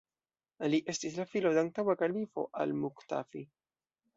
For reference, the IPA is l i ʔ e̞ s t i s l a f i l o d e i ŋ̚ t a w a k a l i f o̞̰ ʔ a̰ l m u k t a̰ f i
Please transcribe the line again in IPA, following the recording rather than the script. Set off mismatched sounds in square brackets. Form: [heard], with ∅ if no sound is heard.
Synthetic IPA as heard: l i ʔ e̞ s t i s l a f i l o d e [a] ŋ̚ t a w a k a l i f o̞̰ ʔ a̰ l m u k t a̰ f i